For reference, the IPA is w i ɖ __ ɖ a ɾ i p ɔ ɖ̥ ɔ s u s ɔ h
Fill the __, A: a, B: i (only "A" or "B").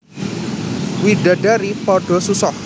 A